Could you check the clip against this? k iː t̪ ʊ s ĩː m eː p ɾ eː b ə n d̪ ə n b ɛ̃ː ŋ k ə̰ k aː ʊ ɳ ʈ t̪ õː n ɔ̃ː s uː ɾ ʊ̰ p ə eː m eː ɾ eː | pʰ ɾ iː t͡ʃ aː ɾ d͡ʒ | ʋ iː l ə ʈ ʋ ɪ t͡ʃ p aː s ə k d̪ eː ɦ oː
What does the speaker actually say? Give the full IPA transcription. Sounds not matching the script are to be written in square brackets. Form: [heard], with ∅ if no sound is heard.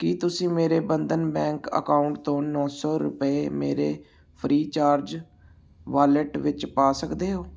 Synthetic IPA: k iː t̪ ʊ s ĩː m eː [∅] ɾ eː b ə n d̪ ə n b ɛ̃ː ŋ k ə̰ k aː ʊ ɳ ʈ t̪ õː n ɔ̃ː s [ɔː] ɾ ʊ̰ p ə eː m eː ɾ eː | pʰ ɾ iː t͡ʃ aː ɾ d͡ʒ | ʋ [aː] l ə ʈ ʋ ɪ t͡ʃ p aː s ə k d̪ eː ɦ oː